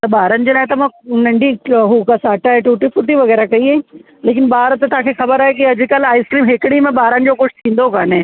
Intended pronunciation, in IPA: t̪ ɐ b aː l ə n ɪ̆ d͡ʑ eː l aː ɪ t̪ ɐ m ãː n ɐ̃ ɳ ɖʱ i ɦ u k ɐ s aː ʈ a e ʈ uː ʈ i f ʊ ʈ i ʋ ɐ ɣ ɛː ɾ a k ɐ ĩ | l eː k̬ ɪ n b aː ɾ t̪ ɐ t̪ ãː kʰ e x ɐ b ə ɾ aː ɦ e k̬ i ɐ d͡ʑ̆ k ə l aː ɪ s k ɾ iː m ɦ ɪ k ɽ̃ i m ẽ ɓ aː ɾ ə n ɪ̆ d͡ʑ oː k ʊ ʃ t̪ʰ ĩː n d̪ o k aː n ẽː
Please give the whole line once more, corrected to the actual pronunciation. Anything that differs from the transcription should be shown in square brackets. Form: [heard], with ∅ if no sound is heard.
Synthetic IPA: t̪ ɐ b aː [ɾ] ə n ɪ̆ d͡ʑ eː l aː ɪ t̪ ɐ m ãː n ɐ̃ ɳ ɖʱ i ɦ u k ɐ s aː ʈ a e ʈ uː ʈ i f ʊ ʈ i ʋ ɐ ɣ ɛː ɾ a k ɐ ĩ | l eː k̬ ɪ n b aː ɾ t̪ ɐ t̪ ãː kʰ e x ɐ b ə ɾ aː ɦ e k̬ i ɐ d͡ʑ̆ k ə l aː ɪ s k ɾ iː m ɦ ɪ k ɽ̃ i m ẽ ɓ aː ɾ ə n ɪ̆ d͡ʑ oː k ʊ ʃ t̪ʰ ĩː n d̪ o k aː n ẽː